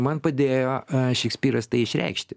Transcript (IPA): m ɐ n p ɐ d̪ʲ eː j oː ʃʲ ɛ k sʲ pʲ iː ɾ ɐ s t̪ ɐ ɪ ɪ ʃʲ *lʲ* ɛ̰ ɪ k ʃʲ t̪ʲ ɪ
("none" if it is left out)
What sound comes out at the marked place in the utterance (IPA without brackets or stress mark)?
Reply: ɾʲ